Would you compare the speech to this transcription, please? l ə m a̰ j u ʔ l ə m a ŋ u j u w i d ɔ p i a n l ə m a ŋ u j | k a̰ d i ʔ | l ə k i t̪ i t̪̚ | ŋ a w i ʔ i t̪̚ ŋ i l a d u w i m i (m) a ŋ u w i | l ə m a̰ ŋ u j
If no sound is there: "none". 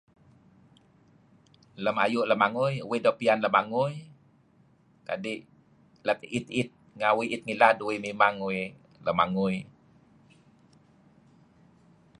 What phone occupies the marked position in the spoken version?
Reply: m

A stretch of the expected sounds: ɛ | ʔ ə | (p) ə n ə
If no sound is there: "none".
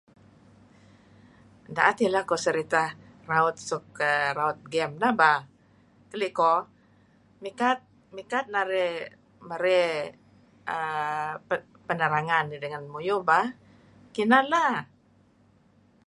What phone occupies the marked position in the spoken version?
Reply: p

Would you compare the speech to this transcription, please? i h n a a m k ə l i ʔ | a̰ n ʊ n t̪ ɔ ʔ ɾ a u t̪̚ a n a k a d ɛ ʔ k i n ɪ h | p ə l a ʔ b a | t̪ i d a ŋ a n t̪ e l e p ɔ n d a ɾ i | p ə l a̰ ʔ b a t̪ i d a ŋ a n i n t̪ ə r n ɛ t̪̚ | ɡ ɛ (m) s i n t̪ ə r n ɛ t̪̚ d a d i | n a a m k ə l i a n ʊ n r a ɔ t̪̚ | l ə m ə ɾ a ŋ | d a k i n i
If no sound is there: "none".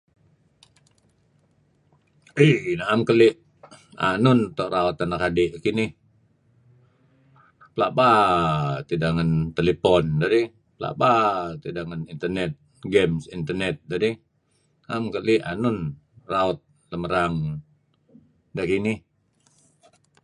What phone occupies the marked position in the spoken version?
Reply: m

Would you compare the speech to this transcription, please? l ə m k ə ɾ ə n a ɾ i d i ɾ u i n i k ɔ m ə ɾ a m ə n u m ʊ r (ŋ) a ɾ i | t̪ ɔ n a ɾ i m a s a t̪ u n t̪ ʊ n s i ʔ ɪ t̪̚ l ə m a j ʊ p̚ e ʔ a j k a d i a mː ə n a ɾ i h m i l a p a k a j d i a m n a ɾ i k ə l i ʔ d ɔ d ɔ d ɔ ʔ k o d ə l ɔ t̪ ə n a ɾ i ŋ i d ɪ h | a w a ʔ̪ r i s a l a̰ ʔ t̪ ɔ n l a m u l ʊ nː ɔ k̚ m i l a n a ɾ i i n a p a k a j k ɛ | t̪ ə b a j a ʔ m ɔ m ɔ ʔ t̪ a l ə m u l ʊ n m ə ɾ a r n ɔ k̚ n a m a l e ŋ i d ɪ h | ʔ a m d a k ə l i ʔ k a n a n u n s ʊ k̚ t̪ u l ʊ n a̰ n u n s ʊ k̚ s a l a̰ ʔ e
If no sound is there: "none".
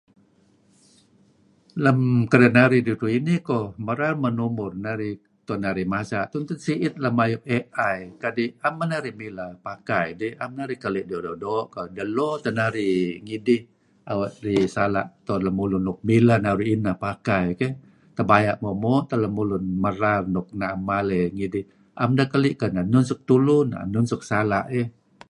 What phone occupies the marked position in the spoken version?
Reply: n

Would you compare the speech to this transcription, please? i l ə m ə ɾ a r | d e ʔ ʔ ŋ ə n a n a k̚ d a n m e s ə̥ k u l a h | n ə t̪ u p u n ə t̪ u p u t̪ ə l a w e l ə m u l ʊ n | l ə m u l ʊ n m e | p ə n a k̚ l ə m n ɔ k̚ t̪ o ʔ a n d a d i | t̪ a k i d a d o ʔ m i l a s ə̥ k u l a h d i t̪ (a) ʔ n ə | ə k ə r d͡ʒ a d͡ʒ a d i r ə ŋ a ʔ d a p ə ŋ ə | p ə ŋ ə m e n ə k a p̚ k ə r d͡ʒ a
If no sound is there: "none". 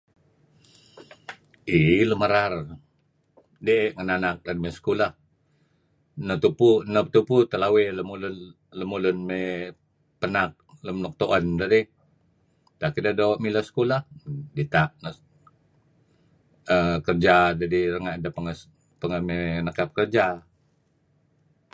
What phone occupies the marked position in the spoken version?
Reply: a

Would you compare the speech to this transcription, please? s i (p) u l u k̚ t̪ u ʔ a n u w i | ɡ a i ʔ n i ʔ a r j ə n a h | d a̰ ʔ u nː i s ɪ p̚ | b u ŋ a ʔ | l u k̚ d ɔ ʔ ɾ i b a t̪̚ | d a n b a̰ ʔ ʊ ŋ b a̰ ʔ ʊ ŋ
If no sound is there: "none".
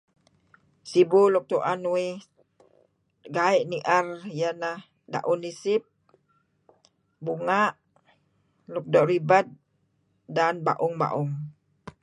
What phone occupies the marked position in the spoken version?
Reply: b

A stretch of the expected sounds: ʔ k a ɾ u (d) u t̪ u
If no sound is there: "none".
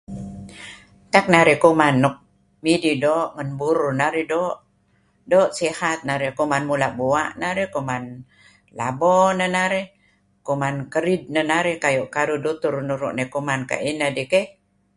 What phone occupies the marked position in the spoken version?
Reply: d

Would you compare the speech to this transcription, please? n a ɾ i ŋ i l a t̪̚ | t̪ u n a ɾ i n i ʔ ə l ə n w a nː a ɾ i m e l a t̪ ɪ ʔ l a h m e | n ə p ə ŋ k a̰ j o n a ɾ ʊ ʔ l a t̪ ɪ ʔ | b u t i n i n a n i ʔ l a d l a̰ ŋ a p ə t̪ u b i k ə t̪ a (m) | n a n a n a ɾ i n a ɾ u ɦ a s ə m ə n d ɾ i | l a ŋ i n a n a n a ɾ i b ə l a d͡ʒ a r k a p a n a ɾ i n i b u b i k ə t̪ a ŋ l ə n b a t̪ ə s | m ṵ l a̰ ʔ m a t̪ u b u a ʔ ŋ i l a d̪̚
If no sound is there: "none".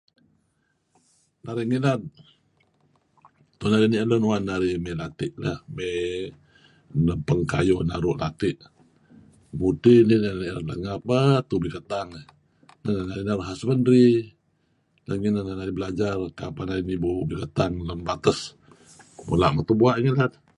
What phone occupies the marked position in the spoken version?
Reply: ŋ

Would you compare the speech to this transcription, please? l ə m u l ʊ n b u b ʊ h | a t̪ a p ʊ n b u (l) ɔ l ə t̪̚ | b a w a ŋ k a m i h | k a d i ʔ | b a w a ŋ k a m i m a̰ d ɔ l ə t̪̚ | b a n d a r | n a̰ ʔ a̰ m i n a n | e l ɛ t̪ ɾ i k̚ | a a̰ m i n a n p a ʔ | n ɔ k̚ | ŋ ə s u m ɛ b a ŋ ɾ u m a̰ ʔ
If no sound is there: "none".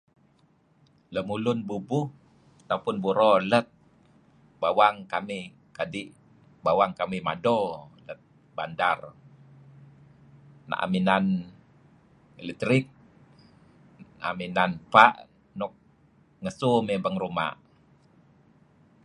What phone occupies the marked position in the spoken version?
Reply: ɾ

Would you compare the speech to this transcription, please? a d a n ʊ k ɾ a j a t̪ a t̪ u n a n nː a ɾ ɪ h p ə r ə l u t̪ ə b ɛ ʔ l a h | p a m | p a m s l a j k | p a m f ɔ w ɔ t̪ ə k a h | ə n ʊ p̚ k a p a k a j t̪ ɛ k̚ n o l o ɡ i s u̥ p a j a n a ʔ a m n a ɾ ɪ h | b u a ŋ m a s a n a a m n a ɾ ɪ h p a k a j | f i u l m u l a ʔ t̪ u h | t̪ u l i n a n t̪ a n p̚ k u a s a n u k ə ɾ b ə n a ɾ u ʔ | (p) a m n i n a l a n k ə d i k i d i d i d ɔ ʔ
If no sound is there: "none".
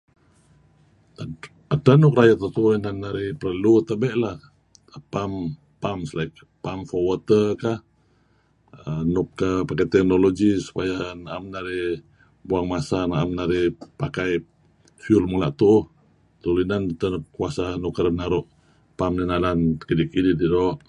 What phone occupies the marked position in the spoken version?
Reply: p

